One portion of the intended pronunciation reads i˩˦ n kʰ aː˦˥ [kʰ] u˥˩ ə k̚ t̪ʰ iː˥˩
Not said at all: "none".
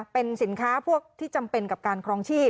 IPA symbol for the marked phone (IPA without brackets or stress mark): pʰ